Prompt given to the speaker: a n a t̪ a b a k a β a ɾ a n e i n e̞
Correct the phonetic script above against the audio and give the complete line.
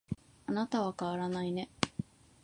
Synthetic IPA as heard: a n a t̪ a β a k a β a ɾ a n a i n e̞